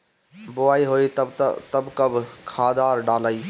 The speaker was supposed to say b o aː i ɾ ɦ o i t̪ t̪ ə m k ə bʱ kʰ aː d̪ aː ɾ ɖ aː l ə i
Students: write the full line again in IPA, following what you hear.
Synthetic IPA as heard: b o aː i ɦ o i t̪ t̪ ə b k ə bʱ kʰ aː d̪ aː ɾ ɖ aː l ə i